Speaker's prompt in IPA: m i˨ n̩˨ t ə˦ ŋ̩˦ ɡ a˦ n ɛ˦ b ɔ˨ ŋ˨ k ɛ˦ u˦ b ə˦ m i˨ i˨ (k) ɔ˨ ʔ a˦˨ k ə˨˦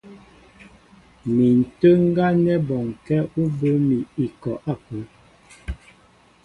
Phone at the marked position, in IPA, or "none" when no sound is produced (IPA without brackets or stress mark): k